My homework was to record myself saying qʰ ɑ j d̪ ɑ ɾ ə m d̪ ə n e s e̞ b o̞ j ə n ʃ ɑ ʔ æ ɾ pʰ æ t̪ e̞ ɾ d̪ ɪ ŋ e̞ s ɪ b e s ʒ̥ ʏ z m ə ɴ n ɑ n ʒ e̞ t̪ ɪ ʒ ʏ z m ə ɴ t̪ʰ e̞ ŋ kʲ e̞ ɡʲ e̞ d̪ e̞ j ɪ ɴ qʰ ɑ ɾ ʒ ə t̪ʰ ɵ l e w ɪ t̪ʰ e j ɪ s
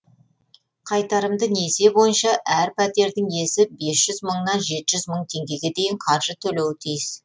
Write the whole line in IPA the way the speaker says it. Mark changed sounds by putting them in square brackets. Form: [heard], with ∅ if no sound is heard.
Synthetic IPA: qʰ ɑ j [t̪] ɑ ɾ ə m d̪ ə n e s e̞ b o̞ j ə n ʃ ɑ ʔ æ ɾ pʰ æ t̪ e̞ ɾ d̪ ɪ ŋ e̞ s ɪ b e s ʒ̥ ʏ z m ə ɴ n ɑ n ʒ e̞ t̪ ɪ ʒ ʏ z m ə ɴ t̪ʰ e̞ ŋ [ɡʲ] e̞ ɡʲ e̞ d̪ e̞ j ɪ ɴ qʰ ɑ ɾ ʒ ə t̪ʰ ɵ l e w ɪ t̪ʰ [i] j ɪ s